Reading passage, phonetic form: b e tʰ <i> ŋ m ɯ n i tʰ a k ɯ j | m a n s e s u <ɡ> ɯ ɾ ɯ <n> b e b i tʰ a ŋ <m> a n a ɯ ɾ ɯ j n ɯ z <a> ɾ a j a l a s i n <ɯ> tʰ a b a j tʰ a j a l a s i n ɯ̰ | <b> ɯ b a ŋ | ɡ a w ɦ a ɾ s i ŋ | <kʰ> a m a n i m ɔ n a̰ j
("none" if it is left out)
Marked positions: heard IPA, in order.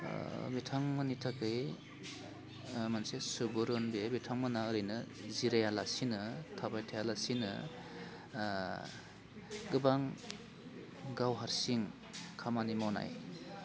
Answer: a, b, n, m, i, ɯ, ɡ, kʰ

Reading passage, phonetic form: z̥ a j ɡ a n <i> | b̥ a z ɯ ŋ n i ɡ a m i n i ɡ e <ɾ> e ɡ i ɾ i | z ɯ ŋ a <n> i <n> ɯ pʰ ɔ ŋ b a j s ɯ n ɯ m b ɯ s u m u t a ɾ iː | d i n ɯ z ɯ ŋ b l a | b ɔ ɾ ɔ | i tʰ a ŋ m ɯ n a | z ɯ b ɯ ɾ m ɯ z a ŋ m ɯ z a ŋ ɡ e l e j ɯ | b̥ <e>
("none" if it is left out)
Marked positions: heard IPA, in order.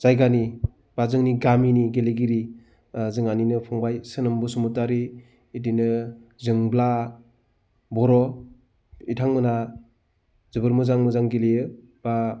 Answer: i, l, n, n, a

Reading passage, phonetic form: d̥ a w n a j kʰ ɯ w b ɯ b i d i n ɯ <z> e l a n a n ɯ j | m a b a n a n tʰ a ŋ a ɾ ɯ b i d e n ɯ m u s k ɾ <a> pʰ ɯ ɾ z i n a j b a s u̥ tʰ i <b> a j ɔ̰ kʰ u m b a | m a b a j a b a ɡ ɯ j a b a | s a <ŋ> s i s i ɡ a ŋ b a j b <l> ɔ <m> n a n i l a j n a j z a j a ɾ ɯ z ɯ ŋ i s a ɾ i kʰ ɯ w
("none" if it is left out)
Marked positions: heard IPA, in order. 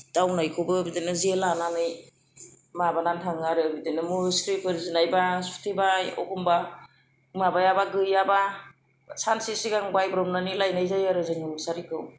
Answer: z, i, b, n, ɾ, m

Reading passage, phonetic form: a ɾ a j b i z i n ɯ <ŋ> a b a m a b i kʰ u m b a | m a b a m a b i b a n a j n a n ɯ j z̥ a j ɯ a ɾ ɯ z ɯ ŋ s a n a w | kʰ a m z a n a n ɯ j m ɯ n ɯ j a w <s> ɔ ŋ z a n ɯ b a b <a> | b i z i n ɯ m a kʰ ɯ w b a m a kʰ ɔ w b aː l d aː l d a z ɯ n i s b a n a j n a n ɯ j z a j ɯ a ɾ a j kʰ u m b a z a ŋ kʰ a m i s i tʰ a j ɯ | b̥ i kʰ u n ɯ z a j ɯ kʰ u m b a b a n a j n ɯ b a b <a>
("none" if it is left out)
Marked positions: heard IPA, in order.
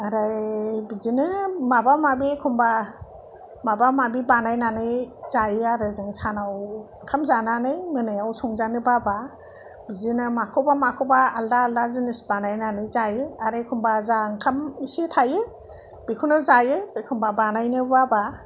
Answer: m, s, a, a

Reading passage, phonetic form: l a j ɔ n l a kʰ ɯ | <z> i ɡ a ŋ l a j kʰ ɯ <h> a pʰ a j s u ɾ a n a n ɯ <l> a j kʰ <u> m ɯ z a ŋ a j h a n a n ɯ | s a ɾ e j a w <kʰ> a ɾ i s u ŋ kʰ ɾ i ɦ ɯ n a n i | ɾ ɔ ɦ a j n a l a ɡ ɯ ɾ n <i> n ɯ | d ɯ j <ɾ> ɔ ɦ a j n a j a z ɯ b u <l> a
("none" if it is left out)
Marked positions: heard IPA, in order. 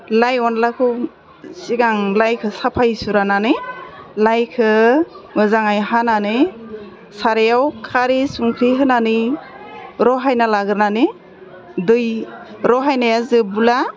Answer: s, s, l, ɯ, kʰ, a, ɾ, l

